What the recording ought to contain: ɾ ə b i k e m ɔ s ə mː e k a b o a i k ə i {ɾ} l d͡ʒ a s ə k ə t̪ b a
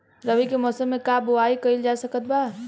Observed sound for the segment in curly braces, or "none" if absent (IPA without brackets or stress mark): none